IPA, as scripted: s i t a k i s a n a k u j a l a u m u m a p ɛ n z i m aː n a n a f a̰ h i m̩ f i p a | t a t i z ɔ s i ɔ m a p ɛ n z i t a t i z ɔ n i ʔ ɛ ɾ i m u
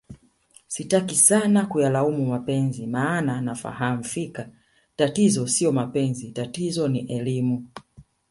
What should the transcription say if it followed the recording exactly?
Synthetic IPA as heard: s i t a k i s a n a k u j a l a u m u m a p ɛ n z i m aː n a n a f a̰ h a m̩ f i k a | t a t i z ɔ s i ɔ m a p ɛ n z i t a t i z ɔ n i ʔ ɛ l i m u